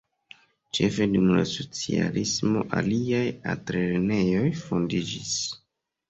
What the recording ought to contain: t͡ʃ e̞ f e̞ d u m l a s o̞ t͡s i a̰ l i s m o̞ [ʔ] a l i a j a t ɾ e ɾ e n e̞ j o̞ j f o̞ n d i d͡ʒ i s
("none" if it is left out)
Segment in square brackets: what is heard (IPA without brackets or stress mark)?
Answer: ʔ